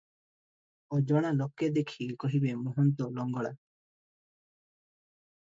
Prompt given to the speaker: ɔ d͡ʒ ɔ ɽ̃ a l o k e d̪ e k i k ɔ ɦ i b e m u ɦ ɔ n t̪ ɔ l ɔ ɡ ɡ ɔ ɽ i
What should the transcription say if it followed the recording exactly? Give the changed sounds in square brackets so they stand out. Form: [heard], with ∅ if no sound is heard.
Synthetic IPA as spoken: ɔ d͡ʒ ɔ ɽ̃ a l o k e d̪ e [kʰ] i k ɔ ɦ i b e m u ɦ ɔ n t̪ ɔ l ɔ [ŋ] ɡ ɔ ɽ [a]